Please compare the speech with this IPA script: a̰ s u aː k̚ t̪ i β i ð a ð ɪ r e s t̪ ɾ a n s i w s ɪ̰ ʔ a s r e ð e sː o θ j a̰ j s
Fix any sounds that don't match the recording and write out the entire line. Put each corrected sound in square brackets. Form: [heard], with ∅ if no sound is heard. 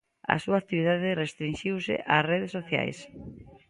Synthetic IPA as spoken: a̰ s u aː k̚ t̪ i β i ð a ð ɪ r e s t̪ ɾ [i] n [ʃ] i w s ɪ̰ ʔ a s r e ð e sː o θ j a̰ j s